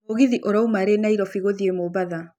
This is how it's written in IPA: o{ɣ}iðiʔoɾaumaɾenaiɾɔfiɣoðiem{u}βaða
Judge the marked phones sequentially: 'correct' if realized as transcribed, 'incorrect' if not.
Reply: correct, incorrect: o

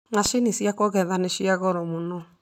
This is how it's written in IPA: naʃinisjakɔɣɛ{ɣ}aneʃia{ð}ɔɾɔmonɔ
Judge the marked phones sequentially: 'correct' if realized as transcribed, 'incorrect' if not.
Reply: incorrect: ð, incorrect: ɣ

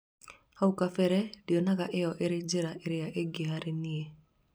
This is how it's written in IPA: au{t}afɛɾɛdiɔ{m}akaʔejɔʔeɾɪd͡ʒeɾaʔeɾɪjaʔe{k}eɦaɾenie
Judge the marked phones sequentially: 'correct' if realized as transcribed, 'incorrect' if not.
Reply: incorrect: k, incorrect: n, incorrect: ɡ

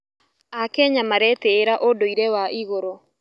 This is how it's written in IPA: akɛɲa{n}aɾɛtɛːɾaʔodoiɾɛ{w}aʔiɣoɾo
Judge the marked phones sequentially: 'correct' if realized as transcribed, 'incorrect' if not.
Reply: incorrect: m, correct

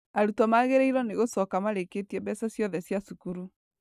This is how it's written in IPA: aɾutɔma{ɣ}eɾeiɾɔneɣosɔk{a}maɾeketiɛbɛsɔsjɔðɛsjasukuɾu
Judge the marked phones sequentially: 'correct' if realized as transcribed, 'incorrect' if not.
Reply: correct, correct

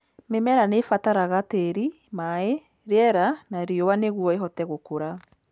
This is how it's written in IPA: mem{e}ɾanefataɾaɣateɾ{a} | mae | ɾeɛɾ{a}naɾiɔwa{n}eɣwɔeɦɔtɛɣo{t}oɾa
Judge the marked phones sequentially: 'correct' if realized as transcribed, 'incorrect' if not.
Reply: incorrect: ɛ, incorrect: i, correct, correct, incorrect: k

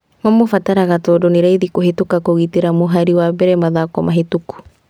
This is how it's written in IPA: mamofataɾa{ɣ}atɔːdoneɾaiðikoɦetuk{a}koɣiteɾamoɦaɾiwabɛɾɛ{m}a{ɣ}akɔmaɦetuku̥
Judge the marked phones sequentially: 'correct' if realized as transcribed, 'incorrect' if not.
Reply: correct, correct, correct, incorrect: ð

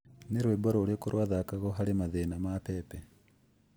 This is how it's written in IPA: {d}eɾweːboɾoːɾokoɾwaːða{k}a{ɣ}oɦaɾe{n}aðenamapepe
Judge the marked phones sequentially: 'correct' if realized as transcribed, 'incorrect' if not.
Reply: incorrect: n, correct, correct, incorrect: m

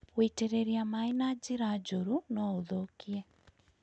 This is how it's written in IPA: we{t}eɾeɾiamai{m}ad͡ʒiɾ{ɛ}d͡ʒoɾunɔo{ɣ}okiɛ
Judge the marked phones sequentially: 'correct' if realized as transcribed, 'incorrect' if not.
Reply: correct, incorrect: n, incorrect: a, incorrect: ð

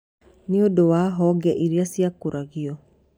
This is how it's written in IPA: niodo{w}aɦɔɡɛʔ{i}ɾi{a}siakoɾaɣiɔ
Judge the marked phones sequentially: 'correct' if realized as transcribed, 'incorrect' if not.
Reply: correct, correct, correct

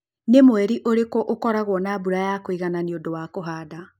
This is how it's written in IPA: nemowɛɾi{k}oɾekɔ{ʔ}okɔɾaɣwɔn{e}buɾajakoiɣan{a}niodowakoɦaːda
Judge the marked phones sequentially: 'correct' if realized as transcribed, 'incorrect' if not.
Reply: incorrect: ʔ, correct, incorrect: a, correct

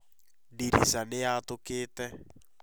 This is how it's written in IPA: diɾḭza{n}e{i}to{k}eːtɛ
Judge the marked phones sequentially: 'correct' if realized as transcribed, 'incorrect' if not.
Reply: correct, incorrect: a, correct

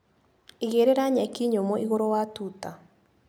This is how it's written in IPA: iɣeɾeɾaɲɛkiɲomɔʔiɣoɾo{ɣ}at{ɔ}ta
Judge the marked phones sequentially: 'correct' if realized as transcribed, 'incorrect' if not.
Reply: incorrect: w, incorrect: u

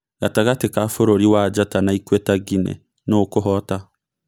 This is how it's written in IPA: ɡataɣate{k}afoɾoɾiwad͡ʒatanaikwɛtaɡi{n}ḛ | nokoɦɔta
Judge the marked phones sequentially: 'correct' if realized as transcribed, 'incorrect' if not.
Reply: correct, correct

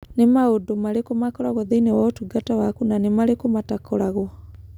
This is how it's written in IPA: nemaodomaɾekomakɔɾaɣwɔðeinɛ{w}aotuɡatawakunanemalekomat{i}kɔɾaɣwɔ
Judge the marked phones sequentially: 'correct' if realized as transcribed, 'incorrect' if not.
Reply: correct, incorrect: a

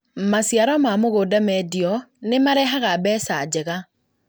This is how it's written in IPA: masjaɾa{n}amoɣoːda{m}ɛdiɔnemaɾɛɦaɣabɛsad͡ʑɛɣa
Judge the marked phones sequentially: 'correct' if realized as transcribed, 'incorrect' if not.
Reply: incorrect: m, correct

